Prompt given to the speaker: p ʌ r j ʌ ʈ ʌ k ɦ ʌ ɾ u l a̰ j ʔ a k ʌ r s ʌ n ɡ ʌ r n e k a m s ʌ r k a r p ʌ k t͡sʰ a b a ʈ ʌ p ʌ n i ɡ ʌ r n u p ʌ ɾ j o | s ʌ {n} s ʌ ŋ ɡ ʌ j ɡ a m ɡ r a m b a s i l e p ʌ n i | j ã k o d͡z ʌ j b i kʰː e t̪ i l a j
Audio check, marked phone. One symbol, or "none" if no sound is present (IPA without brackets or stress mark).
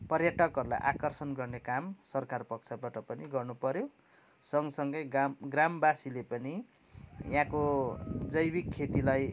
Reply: ŋ